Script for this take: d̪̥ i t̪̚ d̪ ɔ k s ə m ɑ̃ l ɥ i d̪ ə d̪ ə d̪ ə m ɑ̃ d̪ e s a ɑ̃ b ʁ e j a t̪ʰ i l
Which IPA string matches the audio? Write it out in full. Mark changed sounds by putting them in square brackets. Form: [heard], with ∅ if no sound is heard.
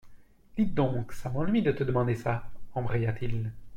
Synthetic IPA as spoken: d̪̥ i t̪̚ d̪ [ɔ̃] k s [a] m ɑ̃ l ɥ i d̪ ə [t̪] ə d̪ ə m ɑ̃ d̪ e s a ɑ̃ b ʁ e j a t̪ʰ i l